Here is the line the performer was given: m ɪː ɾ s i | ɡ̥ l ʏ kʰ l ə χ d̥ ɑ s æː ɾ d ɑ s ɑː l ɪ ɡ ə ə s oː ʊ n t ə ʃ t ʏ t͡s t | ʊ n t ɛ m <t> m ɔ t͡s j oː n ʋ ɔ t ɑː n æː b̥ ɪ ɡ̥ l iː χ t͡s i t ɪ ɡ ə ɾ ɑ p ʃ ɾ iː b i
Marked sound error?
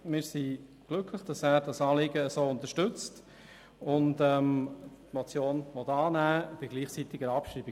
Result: no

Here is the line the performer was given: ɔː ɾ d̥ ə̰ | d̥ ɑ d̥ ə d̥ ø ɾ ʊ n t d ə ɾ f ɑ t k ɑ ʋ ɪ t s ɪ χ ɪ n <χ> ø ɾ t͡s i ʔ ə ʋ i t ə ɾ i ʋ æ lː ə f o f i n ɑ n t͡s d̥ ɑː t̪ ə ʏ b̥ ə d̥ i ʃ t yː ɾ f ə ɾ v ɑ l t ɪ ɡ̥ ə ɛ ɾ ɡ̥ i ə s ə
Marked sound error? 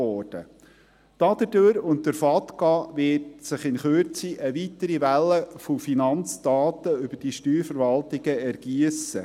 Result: no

